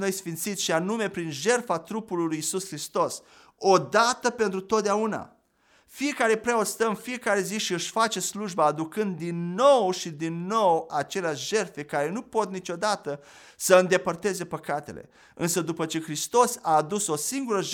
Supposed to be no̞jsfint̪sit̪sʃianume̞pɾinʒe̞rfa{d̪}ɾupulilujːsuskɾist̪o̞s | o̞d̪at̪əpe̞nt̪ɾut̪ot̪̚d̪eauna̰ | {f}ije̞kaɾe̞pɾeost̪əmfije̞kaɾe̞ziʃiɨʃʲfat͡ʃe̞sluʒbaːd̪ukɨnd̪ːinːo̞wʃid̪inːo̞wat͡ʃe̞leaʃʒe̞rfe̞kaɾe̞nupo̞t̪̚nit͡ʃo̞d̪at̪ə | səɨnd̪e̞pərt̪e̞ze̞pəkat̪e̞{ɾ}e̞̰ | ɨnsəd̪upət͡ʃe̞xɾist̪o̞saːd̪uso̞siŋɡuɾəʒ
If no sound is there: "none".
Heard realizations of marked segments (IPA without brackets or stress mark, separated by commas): t̪, f, l